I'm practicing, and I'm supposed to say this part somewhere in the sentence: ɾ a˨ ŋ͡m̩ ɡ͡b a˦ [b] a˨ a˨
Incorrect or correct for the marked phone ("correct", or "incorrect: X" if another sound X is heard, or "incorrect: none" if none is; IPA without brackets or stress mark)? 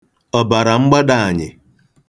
incorrect: d